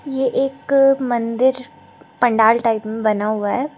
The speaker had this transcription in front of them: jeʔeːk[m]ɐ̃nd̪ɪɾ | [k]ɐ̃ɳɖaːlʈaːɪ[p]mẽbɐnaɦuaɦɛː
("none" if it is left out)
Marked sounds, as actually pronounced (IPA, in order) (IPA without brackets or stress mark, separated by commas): m, p, p